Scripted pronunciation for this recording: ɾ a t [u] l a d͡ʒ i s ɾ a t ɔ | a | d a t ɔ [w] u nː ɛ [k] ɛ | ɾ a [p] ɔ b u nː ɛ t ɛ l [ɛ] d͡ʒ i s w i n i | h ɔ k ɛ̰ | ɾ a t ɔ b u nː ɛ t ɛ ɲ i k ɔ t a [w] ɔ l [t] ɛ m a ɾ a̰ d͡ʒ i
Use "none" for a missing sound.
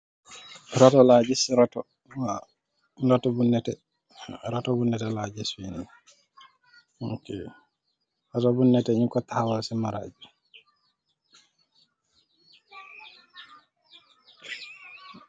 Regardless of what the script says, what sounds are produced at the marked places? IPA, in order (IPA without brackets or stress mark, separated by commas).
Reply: ɔ, b, t, t, a, w, s